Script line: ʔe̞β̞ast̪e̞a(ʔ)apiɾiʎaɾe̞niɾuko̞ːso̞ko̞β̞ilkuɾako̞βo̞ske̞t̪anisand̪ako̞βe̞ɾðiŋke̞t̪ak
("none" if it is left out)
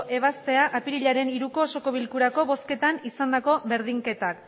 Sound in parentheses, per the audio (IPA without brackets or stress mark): ʔ